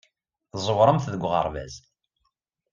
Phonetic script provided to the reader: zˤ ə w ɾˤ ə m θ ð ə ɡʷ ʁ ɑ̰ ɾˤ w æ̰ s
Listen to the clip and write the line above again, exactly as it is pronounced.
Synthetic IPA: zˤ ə w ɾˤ ə m θ ð ə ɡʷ ʁ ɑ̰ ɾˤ v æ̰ z